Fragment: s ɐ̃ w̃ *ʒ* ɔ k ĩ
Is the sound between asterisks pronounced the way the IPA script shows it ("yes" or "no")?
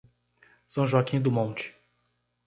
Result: yes